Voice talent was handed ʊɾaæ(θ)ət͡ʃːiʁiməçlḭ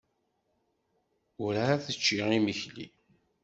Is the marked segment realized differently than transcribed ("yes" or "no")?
no